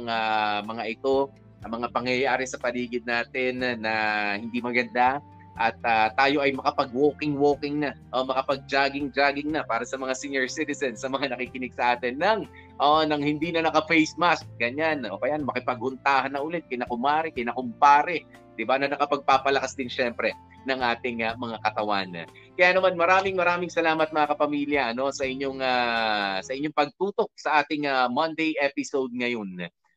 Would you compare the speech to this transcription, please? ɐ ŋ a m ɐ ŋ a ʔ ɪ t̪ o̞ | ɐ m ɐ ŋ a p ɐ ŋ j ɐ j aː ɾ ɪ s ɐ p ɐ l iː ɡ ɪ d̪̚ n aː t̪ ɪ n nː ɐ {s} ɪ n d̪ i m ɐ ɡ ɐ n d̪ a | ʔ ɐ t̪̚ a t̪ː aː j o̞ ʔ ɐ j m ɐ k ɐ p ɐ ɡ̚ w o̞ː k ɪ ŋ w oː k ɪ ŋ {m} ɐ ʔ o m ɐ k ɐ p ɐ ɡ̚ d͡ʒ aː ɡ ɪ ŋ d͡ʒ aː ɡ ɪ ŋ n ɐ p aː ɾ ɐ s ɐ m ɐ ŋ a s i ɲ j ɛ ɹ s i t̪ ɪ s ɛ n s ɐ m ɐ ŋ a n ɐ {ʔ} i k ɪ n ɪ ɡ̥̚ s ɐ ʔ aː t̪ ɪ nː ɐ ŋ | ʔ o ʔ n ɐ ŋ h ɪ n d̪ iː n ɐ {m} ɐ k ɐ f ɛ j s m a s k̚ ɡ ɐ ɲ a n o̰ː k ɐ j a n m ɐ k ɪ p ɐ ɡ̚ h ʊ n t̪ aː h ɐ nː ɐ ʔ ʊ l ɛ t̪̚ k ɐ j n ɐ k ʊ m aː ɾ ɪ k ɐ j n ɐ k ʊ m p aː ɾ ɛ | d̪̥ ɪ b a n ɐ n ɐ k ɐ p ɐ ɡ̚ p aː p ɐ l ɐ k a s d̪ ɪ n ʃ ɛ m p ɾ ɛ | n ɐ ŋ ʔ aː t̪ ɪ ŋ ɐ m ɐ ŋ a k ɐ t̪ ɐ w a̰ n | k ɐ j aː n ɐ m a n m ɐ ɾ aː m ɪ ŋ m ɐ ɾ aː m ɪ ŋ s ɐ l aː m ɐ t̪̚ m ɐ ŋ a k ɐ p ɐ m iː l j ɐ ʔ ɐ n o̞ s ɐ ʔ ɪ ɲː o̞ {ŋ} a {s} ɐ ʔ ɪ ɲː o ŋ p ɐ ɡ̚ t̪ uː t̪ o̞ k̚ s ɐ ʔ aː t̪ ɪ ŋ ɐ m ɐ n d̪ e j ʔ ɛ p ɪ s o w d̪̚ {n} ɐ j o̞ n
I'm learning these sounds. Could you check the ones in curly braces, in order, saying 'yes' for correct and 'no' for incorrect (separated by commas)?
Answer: no, no, no, no, yes, yes, no